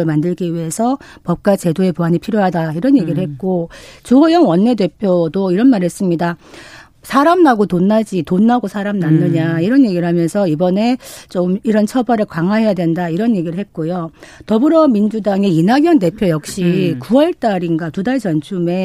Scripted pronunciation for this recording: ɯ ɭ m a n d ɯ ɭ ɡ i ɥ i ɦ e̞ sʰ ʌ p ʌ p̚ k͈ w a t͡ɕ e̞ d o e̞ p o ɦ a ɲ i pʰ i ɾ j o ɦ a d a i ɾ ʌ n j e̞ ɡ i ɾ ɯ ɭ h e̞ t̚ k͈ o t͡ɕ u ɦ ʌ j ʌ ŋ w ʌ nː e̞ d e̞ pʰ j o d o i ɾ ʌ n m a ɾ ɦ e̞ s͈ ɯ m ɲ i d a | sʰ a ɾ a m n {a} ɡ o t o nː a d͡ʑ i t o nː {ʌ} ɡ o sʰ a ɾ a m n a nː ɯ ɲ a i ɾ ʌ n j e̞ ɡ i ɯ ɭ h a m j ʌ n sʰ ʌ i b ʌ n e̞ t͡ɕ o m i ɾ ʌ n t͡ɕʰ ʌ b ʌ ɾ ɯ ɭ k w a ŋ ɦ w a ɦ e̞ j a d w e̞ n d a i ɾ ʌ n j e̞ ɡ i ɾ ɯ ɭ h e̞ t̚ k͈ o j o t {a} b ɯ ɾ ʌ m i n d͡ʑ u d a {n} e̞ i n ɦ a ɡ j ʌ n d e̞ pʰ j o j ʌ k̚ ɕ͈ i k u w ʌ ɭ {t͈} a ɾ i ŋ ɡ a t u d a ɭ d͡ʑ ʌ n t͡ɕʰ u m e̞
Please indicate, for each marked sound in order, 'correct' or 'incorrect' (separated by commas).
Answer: correct, incorrect, incorrect, incorrect, correct